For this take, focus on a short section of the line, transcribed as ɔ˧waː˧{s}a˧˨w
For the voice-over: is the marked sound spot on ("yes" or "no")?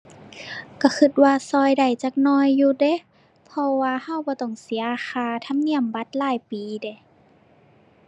no